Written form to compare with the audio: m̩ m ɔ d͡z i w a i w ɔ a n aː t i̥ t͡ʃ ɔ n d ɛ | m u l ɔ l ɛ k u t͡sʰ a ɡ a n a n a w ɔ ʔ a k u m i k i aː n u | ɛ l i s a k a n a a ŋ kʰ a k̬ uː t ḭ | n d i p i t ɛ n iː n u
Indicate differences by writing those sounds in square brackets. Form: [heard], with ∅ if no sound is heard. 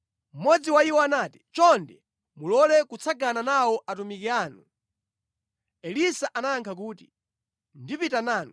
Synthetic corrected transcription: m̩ m ɔ d͡z i w a i w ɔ a n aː t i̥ t͡ʃ ɔ n d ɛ | m u l ɔ l ɛ k u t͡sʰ a ɡ a n a n a w ɔ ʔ a [t] u m i k i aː n u | ɛ l i s a [ʔ] a n a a ŋ kʰ a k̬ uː t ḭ | n d i p i t [a] n [aː] n u